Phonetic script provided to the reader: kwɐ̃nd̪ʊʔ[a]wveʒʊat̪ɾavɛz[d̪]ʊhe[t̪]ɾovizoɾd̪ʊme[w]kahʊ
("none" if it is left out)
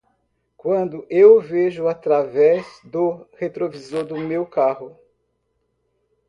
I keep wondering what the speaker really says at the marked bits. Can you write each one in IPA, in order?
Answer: e, d̪, t̪, w

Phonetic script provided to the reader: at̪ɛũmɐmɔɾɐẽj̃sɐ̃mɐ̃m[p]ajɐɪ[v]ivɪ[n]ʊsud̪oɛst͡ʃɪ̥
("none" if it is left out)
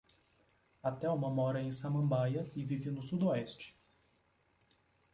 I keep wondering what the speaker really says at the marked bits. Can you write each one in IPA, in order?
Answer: b, v, n

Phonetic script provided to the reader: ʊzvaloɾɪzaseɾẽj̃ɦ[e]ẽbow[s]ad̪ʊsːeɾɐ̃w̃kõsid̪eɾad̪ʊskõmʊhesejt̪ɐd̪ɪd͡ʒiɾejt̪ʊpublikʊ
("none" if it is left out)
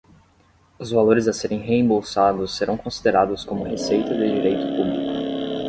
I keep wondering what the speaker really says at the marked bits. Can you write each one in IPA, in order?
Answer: e, s

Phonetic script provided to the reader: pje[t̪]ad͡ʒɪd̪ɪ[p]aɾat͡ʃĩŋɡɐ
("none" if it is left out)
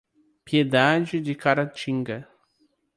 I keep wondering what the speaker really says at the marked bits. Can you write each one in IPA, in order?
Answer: d̪, k

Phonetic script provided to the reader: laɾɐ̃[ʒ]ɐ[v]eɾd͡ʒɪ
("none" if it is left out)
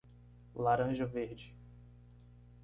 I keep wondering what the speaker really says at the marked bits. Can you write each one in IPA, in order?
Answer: ʒ, v

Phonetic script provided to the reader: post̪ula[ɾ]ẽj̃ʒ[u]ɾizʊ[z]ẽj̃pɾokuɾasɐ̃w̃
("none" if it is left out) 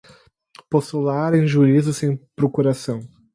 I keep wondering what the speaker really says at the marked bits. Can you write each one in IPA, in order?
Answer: ɾ, u, s

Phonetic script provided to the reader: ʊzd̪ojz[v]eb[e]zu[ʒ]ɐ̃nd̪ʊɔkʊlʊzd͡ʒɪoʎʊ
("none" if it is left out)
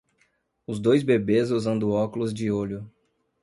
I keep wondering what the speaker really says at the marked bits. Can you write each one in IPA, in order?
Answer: b, e, z

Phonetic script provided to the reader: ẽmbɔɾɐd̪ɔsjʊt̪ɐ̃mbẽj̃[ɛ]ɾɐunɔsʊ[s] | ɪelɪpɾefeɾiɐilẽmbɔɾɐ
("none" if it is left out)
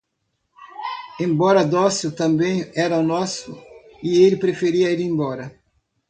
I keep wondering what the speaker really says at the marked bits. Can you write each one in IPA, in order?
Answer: ɛ, none

